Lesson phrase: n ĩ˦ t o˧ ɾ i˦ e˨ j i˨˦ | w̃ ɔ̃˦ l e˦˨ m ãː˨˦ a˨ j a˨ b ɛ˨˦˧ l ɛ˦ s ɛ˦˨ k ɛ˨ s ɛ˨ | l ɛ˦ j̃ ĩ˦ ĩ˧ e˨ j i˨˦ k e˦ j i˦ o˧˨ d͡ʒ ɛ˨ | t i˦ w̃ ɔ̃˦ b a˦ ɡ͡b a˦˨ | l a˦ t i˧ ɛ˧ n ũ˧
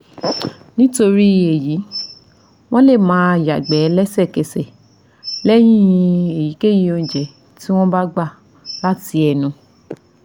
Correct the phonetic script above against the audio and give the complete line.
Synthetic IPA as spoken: n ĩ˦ t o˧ ɾ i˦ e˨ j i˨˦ | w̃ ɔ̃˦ l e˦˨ m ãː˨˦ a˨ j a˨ ɡ͡b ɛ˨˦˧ l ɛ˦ s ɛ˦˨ k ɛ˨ s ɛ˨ | l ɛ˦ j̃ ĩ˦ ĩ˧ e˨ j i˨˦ k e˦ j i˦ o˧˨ d͡ʒ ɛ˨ | t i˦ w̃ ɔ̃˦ b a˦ ɡ͡b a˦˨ | l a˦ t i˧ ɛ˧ n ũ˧

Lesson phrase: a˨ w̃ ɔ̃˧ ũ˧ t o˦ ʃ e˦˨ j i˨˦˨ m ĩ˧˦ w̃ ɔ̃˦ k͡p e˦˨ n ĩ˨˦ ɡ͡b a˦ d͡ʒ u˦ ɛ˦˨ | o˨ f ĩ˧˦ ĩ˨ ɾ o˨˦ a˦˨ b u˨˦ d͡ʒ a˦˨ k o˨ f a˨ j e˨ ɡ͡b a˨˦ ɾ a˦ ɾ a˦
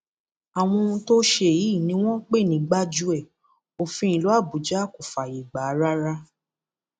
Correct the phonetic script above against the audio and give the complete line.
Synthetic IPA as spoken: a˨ w̃ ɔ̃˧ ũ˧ t o˦ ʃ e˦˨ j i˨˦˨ n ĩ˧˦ w̃ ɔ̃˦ k͡p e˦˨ n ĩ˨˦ ɡ͡b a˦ d͡ʒ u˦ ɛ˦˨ | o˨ f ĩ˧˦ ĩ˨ l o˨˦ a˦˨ b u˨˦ d͡ʒ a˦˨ k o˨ f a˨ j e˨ ɡ͡b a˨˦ ɾ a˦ ɾ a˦

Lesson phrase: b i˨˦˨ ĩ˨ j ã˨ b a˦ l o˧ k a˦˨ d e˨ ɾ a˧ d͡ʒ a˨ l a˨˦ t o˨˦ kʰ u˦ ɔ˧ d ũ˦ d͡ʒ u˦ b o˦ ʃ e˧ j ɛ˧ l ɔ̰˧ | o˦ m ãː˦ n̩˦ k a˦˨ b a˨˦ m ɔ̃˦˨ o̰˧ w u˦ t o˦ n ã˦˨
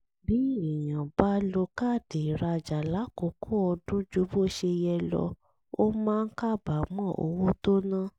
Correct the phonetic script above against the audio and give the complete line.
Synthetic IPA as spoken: b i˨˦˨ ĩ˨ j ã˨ b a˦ l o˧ k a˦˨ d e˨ ɾ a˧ d͡ʒ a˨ l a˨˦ k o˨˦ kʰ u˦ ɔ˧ d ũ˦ d͡ʒ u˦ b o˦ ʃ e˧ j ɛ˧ l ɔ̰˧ | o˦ m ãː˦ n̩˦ k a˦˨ b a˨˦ m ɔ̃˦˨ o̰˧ w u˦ t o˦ n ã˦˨

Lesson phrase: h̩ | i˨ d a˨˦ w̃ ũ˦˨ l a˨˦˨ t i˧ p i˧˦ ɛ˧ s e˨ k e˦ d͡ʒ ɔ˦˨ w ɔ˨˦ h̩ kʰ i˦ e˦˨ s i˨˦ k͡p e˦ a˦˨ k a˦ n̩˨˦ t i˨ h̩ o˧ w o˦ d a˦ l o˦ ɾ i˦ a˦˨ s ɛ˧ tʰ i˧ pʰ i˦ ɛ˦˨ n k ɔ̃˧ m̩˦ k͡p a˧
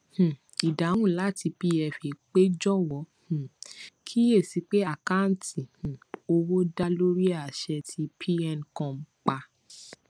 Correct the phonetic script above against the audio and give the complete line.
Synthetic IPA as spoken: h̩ | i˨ d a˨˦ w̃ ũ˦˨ l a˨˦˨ t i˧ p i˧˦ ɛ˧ f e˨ k͡p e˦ d͡ʒ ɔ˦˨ w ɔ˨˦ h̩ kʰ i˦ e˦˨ s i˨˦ k͡p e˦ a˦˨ k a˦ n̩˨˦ t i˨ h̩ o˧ w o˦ d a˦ l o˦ ɾ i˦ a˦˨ ʃ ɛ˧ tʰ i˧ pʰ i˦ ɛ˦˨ n k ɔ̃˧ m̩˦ k͡p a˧

